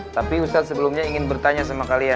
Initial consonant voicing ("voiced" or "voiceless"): voiceless